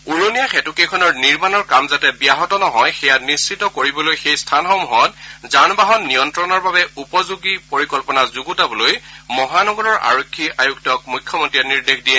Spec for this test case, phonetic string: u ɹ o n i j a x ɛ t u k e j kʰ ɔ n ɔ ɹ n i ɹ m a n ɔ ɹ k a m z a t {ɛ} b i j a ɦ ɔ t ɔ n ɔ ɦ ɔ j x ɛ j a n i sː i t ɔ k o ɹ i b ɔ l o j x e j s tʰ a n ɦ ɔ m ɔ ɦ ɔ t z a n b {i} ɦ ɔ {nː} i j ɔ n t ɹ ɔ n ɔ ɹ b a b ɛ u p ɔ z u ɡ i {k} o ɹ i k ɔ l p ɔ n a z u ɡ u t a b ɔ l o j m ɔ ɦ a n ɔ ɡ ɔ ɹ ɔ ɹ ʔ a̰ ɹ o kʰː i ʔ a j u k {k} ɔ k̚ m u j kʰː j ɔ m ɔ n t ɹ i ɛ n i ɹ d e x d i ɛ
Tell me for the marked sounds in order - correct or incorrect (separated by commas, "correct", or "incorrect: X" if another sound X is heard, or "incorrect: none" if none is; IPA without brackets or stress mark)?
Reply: correct, incorrect: a, correct, incorrect: p, incorrect: t